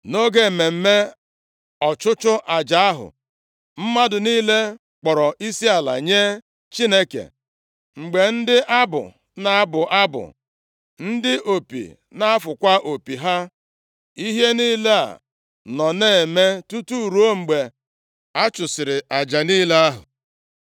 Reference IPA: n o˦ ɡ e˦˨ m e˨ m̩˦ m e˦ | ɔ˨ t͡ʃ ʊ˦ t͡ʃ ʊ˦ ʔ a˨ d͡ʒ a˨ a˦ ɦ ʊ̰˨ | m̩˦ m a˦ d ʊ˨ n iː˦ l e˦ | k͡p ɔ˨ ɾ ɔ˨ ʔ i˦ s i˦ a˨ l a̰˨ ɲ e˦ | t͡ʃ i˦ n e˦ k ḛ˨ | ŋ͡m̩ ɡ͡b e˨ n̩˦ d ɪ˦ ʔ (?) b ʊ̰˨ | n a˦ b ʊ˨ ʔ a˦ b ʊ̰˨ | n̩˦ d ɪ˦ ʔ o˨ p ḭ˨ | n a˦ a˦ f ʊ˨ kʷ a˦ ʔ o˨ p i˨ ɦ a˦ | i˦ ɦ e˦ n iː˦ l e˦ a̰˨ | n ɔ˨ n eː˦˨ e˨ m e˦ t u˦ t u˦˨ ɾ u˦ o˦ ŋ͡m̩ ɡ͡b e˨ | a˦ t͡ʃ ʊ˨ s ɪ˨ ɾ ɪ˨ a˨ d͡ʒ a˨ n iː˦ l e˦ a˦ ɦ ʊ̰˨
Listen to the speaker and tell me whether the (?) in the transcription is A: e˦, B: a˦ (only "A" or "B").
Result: B